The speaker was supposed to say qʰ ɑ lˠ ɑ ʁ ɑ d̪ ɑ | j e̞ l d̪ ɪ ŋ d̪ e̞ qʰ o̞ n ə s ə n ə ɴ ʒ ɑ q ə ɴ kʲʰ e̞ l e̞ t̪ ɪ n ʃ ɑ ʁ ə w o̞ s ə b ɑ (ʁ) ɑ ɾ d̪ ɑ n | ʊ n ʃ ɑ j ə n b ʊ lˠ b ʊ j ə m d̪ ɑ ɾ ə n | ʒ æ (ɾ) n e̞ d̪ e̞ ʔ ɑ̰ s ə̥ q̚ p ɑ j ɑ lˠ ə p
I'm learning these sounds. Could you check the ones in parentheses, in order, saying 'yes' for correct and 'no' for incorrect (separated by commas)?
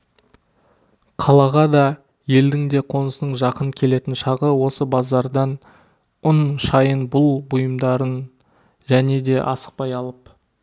no, no